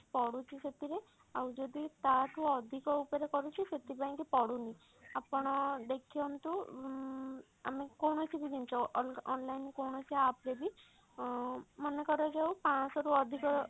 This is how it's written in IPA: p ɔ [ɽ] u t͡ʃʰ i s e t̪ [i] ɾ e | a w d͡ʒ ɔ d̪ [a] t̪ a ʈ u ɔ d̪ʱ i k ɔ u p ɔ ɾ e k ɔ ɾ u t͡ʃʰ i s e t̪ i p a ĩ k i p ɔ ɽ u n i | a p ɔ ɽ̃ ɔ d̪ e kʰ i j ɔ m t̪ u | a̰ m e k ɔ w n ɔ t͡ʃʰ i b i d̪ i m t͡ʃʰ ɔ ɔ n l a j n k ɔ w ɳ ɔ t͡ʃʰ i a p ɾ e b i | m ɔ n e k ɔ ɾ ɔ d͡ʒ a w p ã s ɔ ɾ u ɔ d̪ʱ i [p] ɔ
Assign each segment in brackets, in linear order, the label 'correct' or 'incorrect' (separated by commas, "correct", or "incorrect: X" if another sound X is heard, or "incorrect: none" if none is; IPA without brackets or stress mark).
correct, correct, incorrect: i, incorrect: k